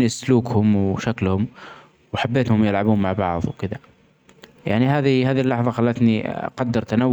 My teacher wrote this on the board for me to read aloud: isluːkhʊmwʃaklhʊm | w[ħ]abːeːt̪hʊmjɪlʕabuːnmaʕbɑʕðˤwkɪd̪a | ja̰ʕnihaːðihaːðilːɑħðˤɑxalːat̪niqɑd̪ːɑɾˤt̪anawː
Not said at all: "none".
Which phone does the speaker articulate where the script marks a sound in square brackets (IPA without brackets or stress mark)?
ħ